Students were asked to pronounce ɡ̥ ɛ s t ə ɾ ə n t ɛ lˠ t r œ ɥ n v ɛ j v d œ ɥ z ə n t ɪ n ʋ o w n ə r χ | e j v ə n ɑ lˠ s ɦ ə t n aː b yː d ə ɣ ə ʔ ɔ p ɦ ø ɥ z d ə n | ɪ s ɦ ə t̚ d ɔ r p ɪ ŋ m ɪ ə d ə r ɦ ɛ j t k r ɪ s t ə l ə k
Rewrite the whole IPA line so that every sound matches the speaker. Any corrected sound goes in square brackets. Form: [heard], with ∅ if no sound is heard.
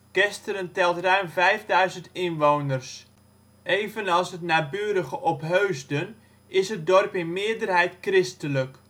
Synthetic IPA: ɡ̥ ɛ s t ə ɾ ə n t ɛ lˠ t r œ ɥ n v ɛ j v d œ ɥ z ə n t ɪ n ʋ o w n ə r [s] | e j v ə n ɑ lˠ s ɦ ə t n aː b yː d ə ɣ ə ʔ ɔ p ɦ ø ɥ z d ə n | ɪ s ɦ ə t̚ d ɔ r p ɪ [n] m ɪ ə d ə r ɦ ɛ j t k r ɪ s t ə l ə k